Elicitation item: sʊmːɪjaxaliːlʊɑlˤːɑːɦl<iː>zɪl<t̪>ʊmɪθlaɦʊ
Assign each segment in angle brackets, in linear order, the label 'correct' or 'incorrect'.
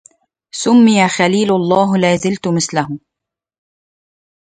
incorrect: aː, correct

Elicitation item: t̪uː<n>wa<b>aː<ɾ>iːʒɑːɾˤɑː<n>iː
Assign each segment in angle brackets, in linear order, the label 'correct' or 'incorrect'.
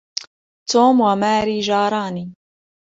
incorrect: m, incorrect: m, correct, correct

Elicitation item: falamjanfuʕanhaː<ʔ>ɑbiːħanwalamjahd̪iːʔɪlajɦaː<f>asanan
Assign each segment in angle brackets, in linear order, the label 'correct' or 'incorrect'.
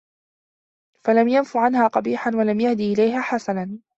incorrect: q, incorrect: ħ

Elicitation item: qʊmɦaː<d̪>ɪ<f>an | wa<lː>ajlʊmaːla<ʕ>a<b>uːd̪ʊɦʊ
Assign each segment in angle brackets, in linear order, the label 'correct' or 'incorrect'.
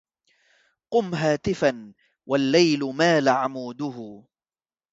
incorrect: t̪, correct, correct, correct, incorrect: m

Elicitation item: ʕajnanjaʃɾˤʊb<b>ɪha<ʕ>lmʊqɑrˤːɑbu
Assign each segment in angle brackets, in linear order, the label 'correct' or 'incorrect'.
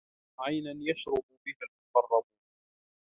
correct, incorrect: none

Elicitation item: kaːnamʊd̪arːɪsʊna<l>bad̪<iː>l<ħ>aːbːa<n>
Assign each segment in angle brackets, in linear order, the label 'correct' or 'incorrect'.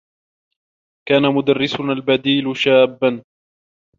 correct, correct, incorrect: ʃ, correct

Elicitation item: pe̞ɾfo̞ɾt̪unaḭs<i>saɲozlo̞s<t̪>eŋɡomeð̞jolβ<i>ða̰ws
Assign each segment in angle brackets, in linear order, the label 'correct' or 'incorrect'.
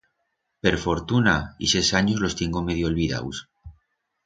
incorrect: e, correct, correct

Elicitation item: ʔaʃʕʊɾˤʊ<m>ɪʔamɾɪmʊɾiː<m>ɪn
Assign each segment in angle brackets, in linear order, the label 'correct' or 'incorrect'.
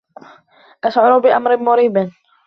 incorrect: b, incorrect: b

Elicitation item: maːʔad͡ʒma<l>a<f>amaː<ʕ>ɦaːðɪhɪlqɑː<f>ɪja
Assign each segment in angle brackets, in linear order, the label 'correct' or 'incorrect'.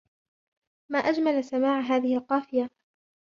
correct, incorrect: s, correct, correct

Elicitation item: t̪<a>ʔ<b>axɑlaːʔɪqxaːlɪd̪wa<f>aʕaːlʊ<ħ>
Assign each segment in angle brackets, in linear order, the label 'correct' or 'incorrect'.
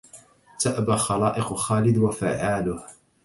correct, correct, correct, incorrect: h

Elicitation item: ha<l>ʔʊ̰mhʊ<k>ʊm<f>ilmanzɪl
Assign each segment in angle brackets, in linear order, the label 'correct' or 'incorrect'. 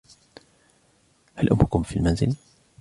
correct, correct, correct

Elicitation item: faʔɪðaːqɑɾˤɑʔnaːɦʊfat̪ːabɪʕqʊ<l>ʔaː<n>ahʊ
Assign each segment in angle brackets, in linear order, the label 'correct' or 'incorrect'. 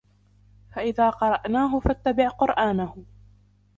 incorrect: ɾ, correct

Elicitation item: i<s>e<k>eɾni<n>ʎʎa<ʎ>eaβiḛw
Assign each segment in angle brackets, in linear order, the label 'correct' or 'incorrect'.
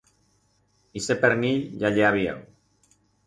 correct, incorrect: p, incorrect: none, correct

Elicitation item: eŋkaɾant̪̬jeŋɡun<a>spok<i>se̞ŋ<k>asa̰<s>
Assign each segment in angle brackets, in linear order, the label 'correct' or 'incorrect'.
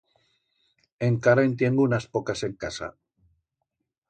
correct, incorrect: a, correct, incorrect: none

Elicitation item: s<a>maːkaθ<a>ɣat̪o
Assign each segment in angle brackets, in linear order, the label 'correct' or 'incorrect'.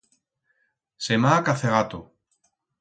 incorrect: e, incorrect: e

